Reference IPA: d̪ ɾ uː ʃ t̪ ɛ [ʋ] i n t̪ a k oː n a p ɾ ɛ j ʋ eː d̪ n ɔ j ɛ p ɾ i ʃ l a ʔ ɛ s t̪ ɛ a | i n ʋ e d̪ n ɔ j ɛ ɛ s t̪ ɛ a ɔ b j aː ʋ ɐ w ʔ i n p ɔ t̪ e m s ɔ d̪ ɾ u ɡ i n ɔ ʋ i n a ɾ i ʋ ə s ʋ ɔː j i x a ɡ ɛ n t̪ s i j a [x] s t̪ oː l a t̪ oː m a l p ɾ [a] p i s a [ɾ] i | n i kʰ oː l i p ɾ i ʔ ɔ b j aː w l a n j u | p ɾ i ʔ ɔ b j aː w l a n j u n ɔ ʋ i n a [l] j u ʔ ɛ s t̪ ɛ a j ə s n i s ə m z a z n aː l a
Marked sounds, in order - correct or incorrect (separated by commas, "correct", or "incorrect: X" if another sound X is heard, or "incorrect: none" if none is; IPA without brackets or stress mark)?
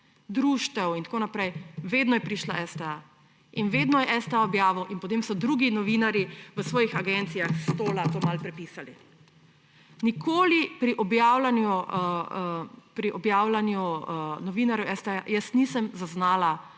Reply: incorrect: w, correct, incorrect: ɛ, incorrect: l, incorrect: ɾ